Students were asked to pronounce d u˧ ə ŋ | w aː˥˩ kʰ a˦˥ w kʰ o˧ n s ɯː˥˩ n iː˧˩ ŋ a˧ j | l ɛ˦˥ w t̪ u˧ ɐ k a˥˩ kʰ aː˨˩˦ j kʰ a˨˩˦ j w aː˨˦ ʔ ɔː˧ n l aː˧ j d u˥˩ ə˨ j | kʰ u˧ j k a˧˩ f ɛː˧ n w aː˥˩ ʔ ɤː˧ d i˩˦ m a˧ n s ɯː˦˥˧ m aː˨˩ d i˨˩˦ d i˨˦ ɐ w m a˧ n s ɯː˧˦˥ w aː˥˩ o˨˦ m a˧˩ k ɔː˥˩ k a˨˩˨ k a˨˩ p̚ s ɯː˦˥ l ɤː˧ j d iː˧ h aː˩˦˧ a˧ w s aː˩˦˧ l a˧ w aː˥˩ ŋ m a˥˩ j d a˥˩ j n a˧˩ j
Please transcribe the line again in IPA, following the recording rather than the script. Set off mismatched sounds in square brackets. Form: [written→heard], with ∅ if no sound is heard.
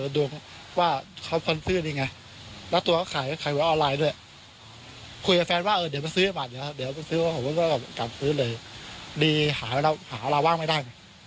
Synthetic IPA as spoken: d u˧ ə ŋ | w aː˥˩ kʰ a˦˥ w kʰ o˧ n s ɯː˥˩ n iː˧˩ ŋ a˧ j | l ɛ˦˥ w t̪ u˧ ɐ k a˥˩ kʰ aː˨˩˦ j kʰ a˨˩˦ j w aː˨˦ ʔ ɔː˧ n l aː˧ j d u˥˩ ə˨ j | kʰ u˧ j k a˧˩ f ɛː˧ n w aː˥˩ ʔ ɤː˧ d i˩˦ m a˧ n s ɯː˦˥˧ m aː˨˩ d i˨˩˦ d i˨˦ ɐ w m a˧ n s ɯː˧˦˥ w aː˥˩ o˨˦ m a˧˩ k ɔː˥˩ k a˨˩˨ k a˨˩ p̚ s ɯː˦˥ l ɤː˧ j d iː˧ h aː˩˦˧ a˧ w [s→h] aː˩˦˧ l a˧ w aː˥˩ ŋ m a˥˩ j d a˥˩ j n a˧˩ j

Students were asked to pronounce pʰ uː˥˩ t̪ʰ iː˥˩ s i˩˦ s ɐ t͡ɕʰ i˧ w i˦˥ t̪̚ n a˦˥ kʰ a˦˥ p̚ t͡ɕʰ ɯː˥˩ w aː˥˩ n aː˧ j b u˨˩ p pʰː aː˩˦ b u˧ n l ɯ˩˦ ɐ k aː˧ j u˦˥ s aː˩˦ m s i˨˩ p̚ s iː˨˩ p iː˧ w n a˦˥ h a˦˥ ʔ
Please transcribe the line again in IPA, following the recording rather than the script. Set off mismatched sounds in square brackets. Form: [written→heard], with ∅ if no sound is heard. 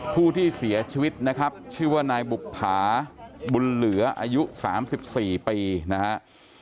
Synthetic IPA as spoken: pʰ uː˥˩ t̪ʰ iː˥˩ s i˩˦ [s→∅] ɐ t͡ɕʰ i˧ w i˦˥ t̪̚ n a˦˥ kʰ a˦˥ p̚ t͡ɕʰ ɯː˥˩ w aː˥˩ n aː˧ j b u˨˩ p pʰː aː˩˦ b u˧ n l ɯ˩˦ ɐ [k→ʔ] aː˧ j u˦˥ s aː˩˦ m s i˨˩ p̚ s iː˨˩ p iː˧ [w→∅] n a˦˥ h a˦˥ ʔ

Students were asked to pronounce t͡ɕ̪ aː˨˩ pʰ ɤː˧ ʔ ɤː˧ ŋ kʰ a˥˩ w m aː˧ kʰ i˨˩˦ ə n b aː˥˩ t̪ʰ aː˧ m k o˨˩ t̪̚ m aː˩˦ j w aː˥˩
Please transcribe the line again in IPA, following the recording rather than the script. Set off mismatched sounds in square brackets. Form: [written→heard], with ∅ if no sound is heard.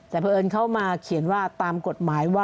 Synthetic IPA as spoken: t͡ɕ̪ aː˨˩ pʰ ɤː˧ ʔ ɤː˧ [ŋ→n] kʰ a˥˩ w m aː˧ kʰ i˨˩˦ ə n [b→w] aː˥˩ [t̪ʰ→t̪] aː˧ m k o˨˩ t̪̚ m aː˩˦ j w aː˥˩

